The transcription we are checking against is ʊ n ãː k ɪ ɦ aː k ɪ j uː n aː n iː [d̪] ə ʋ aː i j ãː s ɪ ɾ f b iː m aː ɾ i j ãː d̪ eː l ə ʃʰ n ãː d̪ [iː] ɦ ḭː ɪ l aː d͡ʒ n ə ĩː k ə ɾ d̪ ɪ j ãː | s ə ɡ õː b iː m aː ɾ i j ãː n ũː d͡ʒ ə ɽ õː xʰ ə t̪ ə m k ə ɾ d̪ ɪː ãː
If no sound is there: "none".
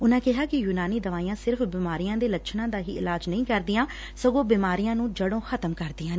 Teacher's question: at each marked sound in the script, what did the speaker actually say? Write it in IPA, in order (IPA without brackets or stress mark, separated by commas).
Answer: d̪, aː